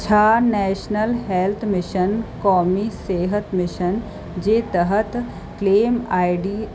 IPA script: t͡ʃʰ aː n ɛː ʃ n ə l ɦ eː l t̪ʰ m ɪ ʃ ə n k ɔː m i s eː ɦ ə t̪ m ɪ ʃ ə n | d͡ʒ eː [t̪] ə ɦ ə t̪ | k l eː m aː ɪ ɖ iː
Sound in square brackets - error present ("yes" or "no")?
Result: no